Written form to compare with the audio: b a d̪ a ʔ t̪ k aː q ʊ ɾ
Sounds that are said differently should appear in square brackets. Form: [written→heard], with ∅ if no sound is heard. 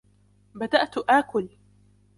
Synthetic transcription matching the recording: b a d̪ a ʔ t̪ [k→ʔ] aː [q→k] ʊ [ɾ→l]